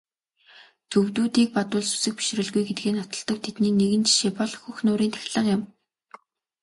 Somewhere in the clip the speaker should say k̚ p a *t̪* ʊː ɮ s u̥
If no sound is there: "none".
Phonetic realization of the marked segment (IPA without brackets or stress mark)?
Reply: t̪